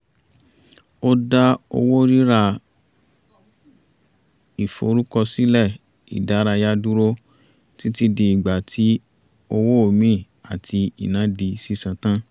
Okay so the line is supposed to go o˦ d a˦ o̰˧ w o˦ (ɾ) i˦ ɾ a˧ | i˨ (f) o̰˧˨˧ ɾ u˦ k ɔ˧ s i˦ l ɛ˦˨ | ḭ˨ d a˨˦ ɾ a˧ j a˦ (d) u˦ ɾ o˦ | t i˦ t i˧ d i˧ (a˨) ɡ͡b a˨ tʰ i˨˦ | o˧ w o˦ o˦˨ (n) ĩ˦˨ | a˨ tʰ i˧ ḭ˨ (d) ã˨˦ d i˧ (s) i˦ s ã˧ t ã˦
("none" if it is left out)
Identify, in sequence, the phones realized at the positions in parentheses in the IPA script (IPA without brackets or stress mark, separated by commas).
ɾ, f, d, i˨, m, n, s